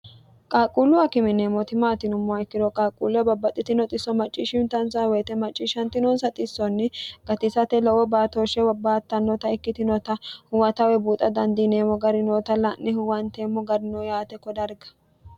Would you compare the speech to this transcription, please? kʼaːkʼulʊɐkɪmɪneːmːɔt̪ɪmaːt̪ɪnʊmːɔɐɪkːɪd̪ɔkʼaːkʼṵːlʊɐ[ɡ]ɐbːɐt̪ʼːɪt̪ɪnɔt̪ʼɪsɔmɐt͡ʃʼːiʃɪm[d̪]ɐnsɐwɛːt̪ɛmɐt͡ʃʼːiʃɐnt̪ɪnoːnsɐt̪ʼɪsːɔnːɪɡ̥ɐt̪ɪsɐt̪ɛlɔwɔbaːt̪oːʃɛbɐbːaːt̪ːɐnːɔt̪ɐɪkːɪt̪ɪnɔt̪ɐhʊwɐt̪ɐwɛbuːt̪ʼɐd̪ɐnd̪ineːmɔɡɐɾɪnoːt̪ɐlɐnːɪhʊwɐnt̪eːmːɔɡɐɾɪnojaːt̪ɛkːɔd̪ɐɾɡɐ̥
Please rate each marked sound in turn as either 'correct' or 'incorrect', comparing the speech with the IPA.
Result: incorrect, incorrect

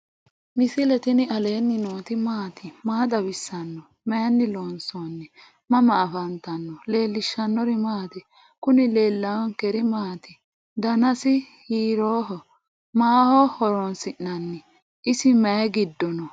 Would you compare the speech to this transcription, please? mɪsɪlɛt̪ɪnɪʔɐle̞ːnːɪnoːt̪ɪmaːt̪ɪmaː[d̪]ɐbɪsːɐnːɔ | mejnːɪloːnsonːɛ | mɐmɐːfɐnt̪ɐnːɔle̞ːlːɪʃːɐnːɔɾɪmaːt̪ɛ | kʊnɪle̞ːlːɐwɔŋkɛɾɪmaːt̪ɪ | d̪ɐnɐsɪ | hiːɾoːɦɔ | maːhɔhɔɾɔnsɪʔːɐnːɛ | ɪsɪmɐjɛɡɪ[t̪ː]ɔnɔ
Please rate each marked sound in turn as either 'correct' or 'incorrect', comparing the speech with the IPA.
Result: correct, incorrect

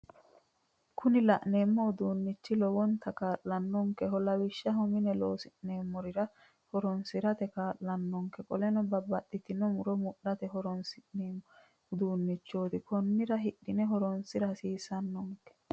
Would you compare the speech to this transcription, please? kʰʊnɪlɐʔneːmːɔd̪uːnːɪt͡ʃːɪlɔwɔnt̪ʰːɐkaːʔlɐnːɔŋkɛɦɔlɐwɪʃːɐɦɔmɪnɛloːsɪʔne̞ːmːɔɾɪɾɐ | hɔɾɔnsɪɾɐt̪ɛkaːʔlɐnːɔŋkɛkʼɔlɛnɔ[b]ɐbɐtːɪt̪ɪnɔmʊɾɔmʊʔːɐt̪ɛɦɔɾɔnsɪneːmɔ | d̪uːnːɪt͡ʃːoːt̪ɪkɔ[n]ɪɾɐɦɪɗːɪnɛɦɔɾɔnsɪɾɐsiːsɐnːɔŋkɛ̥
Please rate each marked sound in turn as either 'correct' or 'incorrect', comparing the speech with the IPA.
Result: correct, incorrect

